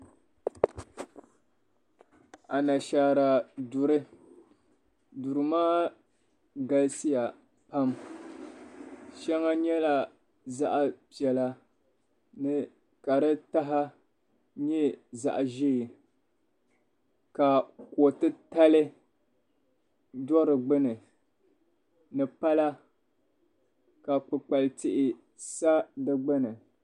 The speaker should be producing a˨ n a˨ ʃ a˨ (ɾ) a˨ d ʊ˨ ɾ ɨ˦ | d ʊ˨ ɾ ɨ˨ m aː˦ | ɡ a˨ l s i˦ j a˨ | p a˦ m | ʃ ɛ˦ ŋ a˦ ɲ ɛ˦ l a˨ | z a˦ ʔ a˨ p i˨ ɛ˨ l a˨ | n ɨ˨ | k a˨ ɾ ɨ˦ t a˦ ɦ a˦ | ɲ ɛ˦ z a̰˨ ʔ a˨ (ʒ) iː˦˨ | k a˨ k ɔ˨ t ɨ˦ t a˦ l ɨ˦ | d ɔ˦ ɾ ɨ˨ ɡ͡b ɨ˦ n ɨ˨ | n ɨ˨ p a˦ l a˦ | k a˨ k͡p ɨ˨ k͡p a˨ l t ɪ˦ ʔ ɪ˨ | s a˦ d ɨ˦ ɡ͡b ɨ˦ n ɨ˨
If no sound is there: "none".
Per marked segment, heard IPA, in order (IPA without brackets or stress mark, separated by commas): ɾ, ʒ